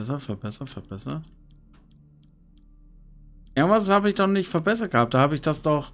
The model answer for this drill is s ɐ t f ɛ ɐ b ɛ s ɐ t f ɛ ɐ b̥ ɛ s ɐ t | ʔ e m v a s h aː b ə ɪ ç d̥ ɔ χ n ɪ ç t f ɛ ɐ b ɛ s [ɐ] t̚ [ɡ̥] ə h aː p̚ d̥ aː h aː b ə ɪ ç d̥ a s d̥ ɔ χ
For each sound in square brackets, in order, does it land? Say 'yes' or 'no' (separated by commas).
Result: yes, yes